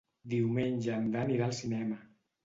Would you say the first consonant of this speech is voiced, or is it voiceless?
voiced